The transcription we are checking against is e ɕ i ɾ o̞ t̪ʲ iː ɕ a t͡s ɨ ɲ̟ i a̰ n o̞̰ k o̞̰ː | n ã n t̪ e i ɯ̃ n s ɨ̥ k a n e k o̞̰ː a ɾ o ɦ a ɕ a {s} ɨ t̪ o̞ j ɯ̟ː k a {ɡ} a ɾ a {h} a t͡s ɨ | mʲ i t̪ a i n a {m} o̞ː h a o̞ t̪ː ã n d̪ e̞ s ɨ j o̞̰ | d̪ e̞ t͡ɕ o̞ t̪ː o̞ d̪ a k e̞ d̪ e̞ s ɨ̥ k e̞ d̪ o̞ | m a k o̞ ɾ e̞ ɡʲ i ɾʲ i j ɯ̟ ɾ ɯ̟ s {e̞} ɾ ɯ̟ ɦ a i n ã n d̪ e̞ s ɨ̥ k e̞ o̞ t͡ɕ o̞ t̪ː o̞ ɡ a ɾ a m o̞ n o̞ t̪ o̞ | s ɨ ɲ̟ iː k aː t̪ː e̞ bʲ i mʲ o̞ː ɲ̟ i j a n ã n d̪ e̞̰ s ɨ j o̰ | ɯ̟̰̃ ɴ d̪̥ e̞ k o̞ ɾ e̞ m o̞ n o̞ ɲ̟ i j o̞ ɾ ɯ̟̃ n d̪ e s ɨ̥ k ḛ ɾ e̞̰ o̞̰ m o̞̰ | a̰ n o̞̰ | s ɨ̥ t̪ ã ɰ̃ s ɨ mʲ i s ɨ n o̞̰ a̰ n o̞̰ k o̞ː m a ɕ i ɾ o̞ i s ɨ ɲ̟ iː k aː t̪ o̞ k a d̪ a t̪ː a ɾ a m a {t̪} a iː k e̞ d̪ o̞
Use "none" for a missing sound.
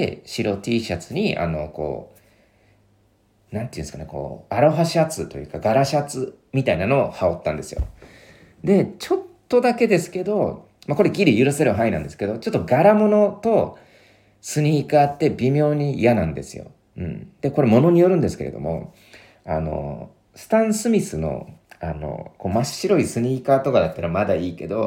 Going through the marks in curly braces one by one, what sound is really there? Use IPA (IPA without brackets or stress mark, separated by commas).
t͡s, ɡ, ɕ, n, e̞, d̪